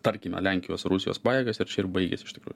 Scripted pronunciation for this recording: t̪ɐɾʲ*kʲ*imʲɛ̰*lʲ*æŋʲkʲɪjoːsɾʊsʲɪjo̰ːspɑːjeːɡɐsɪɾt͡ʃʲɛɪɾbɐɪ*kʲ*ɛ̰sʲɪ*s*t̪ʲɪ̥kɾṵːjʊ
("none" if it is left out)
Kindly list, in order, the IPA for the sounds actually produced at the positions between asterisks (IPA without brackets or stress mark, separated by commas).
kʲ, lʲ, ɡʲ, ʃ